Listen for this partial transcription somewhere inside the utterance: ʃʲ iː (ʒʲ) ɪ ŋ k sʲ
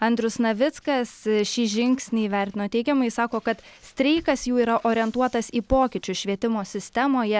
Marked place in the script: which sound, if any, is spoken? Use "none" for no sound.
ʒʲ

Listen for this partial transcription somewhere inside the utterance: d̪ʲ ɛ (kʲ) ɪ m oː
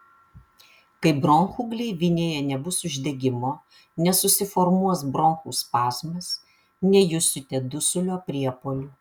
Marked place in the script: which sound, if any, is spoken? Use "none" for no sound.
ɡʲ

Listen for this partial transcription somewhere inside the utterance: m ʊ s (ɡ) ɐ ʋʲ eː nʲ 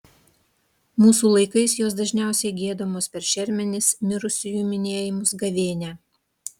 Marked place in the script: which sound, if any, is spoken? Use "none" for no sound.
ɡ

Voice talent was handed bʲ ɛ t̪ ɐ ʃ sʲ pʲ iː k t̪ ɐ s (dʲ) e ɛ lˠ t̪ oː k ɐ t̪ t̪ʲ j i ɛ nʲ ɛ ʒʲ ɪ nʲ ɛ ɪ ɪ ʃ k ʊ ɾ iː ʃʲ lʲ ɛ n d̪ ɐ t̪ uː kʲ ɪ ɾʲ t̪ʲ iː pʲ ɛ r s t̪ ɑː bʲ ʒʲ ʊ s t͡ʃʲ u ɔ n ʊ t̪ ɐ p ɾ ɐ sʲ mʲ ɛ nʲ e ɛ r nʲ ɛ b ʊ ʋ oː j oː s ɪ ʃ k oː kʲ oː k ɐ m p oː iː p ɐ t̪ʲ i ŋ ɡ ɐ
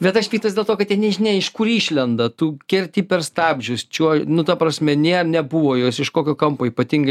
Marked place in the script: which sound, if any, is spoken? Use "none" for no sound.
dʲ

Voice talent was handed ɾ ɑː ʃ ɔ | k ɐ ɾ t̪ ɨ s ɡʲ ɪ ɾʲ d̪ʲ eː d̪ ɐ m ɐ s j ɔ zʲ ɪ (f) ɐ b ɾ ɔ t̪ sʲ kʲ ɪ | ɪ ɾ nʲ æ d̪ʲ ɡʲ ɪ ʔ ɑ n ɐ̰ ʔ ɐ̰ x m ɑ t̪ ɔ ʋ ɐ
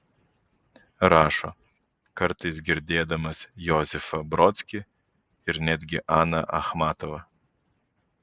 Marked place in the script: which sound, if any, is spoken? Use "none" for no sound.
f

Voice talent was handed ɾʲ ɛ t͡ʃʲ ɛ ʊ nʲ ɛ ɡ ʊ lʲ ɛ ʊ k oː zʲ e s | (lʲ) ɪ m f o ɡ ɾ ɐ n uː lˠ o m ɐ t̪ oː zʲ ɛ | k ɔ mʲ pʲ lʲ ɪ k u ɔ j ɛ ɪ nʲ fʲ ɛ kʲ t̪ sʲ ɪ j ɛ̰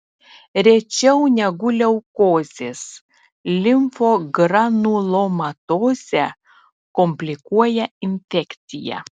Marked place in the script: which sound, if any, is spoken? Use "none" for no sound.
lʲ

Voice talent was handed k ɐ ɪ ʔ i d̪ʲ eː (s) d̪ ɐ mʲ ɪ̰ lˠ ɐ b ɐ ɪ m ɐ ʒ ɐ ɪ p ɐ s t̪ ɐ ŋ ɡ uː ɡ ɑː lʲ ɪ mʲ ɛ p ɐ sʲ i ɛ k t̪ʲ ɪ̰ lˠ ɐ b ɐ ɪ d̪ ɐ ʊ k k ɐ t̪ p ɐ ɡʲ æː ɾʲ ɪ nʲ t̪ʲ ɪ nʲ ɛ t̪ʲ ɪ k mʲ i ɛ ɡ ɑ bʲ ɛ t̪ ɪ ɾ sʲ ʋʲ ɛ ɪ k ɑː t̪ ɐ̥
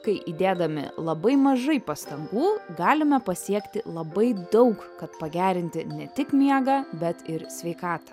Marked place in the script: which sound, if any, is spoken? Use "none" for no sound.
none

